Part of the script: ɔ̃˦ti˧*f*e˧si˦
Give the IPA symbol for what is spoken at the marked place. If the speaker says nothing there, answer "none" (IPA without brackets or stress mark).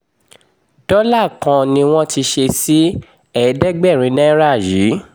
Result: ʃ